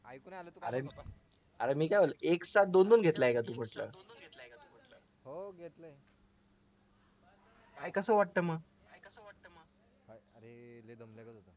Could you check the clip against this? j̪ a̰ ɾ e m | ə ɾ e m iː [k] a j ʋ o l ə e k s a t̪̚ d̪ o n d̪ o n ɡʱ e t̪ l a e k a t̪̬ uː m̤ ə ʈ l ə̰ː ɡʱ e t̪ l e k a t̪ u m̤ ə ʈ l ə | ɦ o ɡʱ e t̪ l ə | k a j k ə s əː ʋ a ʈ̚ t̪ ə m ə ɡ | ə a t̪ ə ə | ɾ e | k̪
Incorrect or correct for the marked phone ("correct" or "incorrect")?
correct